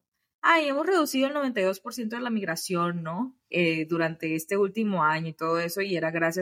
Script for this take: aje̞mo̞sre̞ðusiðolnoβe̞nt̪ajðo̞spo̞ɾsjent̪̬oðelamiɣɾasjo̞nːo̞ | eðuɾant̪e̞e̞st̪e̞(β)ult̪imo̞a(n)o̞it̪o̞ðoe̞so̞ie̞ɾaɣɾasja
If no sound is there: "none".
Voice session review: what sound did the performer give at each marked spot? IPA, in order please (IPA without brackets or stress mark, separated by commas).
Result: none, ɲ